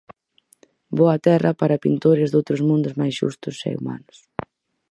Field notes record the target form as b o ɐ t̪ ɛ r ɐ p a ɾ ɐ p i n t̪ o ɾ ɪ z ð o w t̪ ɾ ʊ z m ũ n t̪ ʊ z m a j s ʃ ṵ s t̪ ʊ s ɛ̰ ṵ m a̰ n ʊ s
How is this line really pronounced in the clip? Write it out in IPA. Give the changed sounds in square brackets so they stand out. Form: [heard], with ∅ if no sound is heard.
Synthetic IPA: b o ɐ t̪ ɛ r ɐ p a ɾ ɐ p i n t̪ o ɾ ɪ z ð o w t̪ ɾ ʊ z m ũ n [d̪] ʊ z m a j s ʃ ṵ s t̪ ʊ s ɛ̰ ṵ m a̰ n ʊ s